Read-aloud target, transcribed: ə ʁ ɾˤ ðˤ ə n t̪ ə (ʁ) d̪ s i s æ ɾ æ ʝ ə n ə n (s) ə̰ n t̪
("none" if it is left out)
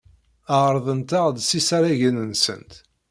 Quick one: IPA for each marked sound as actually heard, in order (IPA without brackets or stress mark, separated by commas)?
ʁ, s